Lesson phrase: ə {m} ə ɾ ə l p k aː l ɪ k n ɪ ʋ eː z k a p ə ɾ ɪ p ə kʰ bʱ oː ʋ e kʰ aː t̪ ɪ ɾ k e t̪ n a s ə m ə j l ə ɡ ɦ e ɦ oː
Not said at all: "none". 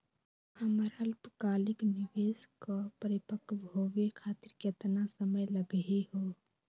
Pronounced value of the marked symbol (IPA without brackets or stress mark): m